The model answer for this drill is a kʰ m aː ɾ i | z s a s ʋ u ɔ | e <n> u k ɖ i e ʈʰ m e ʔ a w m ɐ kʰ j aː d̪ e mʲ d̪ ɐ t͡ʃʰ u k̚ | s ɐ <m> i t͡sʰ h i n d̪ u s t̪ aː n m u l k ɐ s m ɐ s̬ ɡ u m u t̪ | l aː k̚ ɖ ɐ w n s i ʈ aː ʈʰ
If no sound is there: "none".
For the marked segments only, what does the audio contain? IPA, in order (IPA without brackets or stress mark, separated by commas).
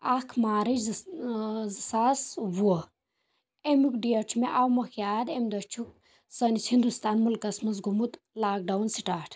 m, n